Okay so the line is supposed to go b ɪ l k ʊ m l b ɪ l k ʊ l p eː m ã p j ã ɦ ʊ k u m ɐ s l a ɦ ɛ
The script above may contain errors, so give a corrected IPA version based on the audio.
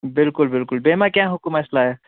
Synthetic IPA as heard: b ɪ l k ʊ l b ɪ l k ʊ l b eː m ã k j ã ɦ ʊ k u m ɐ s l a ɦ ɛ